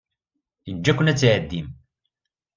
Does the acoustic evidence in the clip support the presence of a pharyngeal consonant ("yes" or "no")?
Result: yes